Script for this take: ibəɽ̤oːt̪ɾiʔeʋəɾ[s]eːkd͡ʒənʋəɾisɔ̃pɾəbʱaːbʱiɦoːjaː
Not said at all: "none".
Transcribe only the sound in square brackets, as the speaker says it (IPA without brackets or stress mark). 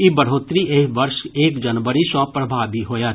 ʃ